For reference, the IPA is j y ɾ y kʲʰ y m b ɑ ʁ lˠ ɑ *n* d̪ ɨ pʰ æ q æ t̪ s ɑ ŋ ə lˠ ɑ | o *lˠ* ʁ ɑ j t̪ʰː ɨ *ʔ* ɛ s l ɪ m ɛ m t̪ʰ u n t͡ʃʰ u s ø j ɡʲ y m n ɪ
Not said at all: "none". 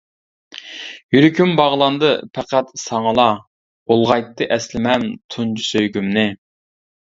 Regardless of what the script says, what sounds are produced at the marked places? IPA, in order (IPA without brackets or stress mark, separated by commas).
n, lˠ, ʔ